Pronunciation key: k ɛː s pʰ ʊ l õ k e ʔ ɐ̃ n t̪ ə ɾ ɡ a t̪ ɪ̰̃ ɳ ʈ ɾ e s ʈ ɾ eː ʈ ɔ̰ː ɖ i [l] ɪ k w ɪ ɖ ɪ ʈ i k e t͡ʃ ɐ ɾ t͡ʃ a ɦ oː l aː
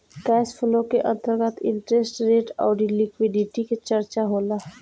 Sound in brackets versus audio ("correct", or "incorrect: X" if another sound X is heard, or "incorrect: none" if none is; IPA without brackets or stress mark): correct